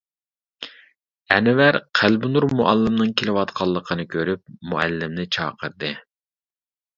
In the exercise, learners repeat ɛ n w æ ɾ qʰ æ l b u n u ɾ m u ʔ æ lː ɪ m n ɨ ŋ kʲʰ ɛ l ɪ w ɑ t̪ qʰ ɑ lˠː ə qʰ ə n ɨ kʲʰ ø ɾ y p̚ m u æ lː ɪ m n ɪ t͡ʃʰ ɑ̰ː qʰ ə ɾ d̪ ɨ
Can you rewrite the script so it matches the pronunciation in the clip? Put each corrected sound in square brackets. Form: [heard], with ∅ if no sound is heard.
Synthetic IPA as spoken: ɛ n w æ ɾ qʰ æ l b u n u ɾ m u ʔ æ lː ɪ m n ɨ ŋ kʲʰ [e] l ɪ w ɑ t̪ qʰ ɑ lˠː ə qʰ ə n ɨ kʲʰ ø ɾ y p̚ m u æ lː ɪ m n ɪ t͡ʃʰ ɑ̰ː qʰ ə ɾ d̪ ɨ